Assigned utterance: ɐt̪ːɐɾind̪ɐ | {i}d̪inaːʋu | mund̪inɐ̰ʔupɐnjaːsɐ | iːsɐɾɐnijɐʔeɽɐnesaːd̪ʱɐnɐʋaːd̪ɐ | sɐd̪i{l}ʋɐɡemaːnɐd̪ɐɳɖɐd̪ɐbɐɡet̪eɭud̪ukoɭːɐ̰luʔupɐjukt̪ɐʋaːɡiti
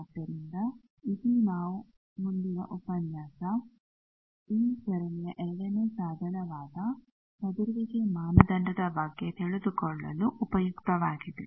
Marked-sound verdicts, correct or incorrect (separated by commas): correct, incorrect